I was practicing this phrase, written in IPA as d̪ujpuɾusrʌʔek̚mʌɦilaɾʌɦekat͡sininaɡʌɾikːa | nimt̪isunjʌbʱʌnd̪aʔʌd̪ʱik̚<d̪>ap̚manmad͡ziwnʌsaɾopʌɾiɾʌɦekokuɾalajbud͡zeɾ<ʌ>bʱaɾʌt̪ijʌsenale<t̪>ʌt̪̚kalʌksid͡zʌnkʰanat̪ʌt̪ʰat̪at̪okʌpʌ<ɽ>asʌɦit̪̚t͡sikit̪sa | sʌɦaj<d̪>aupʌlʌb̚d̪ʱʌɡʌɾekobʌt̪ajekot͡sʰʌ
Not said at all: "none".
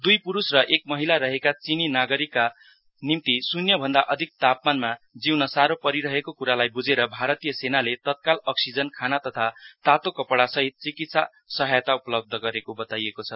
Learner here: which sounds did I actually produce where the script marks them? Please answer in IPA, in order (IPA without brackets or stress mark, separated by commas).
t̪, ʌ, t̪, ɽ, t̪